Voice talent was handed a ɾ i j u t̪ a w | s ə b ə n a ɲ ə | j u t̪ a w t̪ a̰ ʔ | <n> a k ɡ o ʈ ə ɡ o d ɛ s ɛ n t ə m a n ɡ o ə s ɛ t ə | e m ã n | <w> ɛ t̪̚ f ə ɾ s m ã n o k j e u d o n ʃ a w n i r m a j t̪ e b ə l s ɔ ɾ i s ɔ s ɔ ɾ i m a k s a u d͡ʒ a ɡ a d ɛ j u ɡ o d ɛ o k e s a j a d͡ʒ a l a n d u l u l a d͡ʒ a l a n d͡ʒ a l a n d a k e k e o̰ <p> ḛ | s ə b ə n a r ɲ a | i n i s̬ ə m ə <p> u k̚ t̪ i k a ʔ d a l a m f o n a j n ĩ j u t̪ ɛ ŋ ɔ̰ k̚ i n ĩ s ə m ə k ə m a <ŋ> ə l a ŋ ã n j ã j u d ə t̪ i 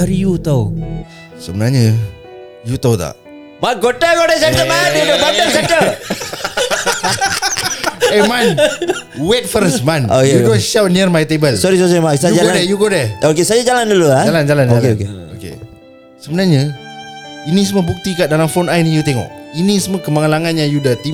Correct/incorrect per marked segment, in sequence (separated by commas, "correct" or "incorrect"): incorrect, correct, incorrect, incorrect, correct